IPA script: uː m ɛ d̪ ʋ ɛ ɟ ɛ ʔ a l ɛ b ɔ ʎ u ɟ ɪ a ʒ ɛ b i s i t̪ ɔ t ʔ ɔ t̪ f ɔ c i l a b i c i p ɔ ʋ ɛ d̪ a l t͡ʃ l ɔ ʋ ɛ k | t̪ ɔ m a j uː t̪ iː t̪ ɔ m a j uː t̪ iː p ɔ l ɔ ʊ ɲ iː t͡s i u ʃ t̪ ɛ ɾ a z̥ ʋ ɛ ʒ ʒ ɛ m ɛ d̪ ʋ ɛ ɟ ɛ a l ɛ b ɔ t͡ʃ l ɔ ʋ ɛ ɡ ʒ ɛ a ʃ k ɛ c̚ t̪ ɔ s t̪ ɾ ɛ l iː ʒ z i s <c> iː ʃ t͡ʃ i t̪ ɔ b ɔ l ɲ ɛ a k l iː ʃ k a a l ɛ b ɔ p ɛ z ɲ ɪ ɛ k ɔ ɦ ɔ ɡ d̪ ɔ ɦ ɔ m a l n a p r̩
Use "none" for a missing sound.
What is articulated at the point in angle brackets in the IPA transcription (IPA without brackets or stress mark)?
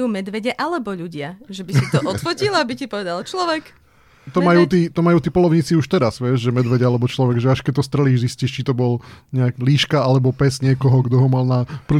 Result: c